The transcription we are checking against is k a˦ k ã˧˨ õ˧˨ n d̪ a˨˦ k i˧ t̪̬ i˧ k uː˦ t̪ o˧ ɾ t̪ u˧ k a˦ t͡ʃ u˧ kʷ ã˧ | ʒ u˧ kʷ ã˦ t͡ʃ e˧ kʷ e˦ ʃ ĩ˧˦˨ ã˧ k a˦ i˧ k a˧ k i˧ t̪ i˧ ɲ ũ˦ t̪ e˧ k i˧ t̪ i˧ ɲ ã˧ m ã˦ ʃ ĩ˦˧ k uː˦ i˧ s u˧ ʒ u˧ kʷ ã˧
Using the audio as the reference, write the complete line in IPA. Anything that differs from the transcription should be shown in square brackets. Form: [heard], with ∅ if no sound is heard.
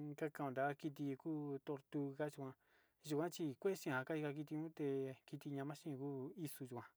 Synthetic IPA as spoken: k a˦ k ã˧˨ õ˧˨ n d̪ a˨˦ k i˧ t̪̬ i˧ k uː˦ t̪ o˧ ɾ t̪ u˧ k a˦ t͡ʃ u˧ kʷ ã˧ | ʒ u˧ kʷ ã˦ t͡ʃ [i˧] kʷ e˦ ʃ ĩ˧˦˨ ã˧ k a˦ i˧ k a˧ k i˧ t̪ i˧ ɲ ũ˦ t̪ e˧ k i˧ t̪ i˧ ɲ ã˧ m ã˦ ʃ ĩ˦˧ k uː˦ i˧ s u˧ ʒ u˧ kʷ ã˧

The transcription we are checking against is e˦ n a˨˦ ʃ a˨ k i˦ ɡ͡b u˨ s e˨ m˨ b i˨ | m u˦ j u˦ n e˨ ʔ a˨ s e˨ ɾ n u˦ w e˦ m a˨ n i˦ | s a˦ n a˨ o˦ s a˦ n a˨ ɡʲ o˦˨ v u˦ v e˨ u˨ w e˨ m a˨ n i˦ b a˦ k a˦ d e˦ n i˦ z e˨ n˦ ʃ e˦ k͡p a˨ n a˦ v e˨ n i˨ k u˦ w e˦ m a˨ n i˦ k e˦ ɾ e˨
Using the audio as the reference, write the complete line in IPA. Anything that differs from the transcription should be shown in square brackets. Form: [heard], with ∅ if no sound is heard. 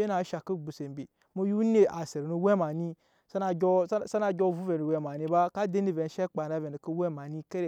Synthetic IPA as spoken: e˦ n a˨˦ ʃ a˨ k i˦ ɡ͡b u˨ s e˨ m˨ b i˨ | m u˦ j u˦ n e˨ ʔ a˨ s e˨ ɾ n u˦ w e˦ m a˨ n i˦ | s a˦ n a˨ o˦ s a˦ n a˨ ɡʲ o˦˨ v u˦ v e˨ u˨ w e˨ m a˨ n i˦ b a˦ k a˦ d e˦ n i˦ [v] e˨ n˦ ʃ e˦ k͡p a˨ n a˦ v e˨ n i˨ k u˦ w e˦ m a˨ n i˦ k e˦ ɾ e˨

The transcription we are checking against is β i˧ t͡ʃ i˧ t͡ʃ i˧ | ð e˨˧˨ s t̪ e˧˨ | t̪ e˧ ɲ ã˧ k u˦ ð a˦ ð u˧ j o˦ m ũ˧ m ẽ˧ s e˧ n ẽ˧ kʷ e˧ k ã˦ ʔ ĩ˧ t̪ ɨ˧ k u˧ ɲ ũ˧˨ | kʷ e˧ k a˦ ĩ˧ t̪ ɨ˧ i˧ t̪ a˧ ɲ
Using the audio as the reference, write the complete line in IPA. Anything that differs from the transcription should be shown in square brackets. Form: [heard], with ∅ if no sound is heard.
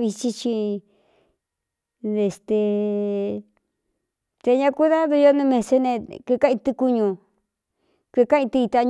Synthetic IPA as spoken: β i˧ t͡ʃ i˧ t͡ʃ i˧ | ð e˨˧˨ s t̪ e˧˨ | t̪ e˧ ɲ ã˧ k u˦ ð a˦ ð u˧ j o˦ [n] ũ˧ m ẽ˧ s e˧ n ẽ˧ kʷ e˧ k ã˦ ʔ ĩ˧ t̪ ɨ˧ k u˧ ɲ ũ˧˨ | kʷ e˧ k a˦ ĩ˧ t̪ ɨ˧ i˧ t̪ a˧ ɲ

